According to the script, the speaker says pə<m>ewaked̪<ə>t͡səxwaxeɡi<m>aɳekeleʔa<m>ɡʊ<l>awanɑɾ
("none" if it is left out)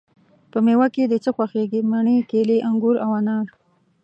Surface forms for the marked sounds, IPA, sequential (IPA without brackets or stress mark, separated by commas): m, ə, m, ŋ, ɾ